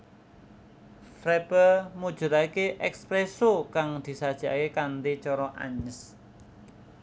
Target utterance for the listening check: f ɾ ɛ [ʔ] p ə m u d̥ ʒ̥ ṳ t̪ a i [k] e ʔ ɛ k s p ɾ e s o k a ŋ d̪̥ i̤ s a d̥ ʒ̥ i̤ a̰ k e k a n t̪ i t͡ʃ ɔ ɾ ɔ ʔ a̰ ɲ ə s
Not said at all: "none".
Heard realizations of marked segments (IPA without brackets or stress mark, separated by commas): none, k